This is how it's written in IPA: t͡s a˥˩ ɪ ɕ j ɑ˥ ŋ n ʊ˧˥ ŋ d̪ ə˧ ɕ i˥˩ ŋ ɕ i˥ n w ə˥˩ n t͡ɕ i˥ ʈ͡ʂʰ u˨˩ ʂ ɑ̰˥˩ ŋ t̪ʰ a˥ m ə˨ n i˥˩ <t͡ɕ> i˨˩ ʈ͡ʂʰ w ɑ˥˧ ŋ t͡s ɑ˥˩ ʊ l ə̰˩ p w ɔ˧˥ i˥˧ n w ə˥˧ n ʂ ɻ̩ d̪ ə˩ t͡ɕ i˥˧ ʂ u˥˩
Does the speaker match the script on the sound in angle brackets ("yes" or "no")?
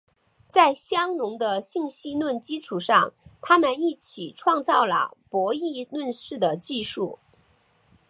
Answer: no